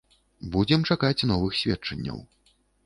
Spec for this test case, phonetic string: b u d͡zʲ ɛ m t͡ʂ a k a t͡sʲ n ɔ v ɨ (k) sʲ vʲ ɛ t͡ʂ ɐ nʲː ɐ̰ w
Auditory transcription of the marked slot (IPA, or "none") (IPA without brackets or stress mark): x